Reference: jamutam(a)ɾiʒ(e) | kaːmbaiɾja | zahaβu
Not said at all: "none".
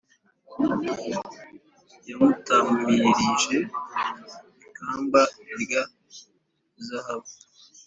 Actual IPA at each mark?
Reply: i, e

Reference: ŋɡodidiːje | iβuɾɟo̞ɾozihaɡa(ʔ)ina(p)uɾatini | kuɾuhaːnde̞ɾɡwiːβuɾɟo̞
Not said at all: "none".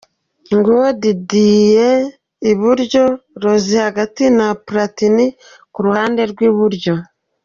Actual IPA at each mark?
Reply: t, p

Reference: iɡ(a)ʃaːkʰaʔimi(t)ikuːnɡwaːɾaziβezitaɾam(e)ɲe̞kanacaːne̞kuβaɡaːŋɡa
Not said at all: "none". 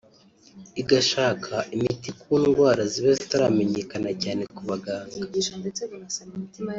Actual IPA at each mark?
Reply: a, t, e

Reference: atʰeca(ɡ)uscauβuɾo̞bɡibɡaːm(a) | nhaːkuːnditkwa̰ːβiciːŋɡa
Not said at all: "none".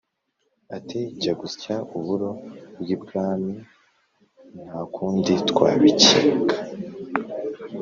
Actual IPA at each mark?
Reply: ɡ, i

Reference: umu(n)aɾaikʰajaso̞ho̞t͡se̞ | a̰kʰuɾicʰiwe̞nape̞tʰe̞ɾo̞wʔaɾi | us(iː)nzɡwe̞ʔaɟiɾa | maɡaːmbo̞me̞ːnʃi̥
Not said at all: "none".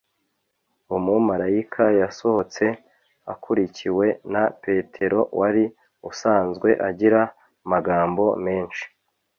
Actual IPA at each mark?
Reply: m, aː

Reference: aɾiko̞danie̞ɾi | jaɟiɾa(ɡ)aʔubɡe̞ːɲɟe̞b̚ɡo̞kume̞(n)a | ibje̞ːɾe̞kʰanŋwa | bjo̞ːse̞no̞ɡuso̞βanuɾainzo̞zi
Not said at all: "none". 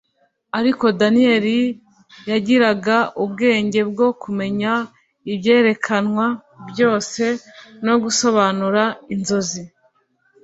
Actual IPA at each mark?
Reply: ɡ, ɲ

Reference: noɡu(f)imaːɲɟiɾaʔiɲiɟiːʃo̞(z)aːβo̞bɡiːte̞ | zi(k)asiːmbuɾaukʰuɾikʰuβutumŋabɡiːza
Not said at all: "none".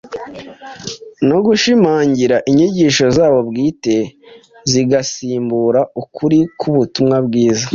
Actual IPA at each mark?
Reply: ʃ, z, ɡ

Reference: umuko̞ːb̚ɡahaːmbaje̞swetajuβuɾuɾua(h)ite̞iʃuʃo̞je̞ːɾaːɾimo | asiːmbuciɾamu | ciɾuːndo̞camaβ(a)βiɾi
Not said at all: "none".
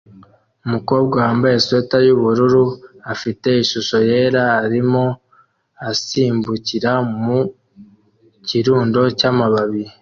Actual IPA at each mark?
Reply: f, a

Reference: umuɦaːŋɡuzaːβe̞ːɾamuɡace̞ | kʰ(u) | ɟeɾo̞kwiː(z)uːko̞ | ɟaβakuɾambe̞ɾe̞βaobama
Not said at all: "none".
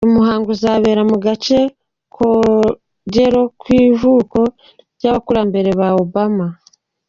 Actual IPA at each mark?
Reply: o, v

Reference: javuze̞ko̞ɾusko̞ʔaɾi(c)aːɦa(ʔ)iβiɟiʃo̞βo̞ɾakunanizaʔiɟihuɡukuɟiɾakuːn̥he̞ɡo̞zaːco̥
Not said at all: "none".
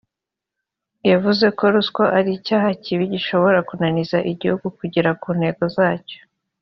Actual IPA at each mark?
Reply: c, c

